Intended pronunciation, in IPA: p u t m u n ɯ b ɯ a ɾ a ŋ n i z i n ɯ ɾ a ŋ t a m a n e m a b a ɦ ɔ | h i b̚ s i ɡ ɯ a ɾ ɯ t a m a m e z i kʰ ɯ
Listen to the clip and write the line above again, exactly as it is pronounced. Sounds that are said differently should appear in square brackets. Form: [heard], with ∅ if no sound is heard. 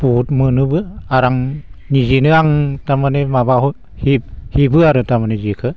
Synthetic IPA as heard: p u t m [ɯ] n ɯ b ɯ a ɾ a ŋ n i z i n ɯ [∅] a ŋ t a m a n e m a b a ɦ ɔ | h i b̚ [h] i [b] ɯ a ɾ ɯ t a m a [n] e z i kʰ ɯ